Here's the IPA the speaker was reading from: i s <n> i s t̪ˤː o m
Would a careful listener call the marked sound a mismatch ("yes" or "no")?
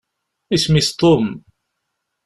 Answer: yes